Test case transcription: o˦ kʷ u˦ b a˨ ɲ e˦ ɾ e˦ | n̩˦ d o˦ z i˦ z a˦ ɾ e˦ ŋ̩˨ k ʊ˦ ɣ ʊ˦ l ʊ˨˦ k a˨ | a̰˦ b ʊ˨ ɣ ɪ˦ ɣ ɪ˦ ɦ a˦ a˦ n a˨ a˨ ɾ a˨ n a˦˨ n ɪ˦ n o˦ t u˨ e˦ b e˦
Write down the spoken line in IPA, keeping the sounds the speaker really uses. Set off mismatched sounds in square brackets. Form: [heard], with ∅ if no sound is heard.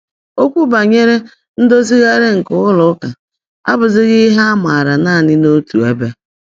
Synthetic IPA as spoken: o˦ kʷ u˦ b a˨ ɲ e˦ ɾ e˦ | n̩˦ d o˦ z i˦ [ɣ] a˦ ɾ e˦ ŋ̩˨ k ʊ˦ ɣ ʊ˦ l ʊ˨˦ k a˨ | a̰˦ b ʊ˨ [z] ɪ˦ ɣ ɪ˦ ɦ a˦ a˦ [m] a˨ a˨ ɾ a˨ n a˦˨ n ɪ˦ n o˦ t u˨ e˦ b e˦